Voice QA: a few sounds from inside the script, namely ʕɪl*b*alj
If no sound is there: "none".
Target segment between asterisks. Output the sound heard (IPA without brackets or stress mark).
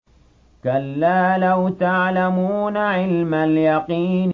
m